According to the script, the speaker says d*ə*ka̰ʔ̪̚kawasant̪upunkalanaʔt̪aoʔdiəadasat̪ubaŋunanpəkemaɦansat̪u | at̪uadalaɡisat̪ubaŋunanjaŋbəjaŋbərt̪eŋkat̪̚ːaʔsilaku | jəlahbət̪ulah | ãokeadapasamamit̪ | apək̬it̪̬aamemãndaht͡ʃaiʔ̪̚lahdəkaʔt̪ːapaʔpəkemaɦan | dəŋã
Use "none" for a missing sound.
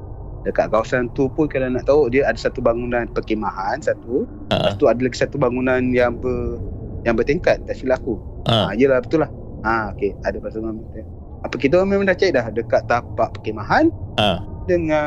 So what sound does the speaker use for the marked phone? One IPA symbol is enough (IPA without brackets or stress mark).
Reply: ə